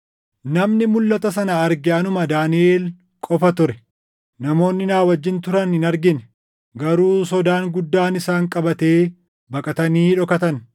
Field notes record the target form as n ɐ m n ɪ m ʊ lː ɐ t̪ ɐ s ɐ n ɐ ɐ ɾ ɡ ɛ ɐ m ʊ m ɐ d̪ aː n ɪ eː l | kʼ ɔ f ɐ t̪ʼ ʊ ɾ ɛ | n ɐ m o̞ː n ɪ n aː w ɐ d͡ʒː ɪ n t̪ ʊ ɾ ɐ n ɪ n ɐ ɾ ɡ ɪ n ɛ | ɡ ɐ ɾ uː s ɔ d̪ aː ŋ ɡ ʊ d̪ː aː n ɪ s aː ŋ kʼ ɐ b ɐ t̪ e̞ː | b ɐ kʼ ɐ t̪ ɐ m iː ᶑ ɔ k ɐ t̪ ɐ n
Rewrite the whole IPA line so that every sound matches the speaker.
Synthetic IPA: n ɐ m n ɪ m ʊ lː ɐ t̪ ɐ s ɐ n ɐ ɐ ɾ ɡ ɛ ɐ n ʊ m ɐ d̪ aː n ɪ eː l | kʼ ɔ f ɐ t̪ ʊ ɾ ɛ | n ɐ m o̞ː nː ɪ n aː w ɐ d͡ʒː ɪ n t̪ ʊ ɾ ɐ n ɪ n ɐ ɾ ɡ ɪ n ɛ | ɡ ɐ ɾ uː s ɔ d̪ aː ŋ ɡ ʊ d̪ː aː n ɪ s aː ŋ kʼ ɐ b ɐ t̪ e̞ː | b ɐ kʼ ɐ t̪ ɐ n iː ᶑ ɔ k ɐ t̪ ɐ n